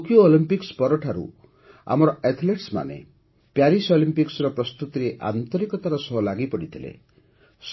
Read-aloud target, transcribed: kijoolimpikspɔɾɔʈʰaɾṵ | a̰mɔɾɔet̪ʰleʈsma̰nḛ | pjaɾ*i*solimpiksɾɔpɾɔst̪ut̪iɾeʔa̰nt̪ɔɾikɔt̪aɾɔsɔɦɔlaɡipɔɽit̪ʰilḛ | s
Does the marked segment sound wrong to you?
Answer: no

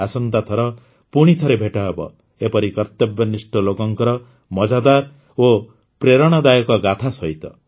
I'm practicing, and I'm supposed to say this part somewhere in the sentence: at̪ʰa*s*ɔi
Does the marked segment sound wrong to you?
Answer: no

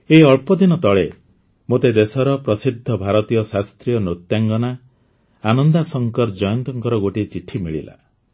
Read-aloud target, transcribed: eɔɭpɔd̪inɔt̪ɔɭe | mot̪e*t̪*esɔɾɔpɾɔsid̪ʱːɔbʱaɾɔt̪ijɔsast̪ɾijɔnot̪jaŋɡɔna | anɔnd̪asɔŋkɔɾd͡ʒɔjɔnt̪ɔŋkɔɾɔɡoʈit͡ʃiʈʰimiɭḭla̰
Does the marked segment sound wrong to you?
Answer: yes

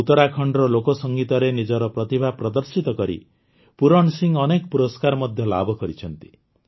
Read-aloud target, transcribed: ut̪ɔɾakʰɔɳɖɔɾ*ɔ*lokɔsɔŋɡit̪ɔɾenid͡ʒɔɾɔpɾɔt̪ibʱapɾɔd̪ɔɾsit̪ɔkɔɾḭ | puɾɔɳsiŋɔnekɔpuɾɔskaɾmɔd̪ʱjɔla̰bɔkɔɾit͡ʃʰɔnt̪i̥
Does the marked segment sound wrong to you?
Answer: no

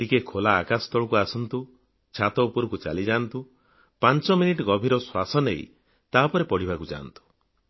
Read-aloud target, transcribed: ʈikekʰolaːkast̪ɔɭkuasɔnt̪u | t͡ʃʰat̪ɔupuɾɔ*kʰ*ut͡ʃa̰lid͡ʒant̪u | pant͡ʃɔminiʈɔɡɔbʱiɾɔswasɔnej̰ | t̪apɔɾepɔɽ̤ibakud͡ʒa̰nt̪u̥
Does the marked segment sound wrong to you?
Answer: yes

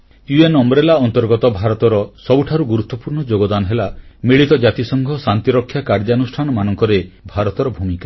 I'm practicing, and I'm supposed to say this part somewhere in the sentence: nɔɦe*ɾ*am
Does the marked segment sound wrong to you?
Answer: yes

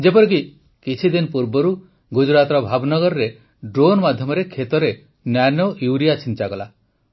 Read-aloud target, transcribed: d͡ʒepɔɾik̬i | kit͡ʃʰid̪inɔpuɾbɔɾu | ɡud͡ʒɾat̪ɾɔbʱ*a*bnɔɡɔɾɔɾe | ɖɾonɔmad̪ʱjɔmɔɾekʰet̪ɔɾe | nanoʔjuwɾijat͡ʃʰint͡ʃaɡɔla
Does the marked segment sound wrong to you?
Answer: no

